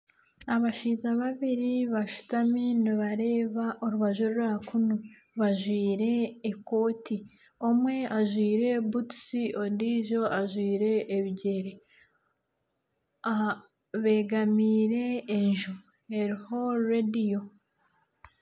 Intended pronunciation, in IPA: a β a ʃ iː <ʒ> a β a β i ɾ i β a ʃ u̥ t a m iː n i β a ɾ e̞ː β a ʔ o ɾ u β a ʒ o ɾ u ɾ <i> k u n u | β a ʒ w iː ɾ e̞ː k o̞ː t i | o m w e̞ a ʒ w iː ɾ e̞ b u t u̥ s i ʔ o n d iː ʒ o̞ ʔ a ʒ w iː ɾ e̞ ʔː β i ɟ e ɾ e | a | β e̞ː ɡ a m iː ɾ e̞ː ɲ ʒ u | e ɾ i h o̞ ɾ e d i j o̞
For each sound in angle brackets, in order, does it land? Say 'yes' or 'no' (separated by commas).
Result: no, no